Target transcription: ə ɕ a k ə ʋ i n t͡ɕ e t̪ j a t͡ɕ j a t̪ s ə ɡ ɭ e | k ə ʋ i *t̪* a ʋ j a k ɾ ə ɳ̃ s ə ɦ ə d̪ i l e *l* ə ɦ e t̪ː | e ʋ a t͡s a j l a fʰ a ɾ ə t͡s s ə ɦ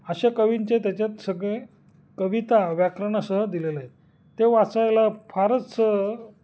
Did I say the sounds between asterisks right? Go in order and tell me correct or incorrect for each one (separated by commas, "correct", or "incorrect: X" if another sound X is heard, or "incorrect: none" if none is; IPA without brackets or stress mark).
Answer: correct, correct